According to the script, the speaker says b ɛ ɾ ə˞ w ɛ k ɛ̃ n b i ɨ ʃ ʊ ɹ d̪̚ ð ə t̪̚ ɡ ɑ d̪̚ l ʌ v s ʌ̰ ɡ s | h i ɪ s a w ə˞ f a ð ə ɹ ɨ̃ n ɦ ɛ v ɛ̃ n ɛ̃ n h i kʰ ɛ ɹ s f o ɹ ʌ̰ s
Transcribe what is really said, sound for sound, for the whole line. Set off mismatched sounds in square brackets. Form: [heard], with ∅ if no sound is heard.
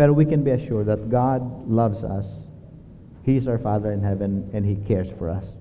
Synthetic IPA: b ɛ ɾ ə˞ w [i] k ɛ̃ n b i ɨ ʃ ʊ ɹ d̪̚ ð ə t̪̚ ɡ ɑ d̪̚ l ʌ v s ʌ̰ [∅] s | h i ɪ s a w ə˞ f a ð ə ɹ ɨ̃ n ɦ ɛ v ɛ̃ n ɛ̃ n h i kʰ ɛ ɹ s f [ɔ] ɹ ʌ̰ s